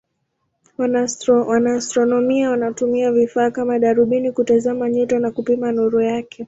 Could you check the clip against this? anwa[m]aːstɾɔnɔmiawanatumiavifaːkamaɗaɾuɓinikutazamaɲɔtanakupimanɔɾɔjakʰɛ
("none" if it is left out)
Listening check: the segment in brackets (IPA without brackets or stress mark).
n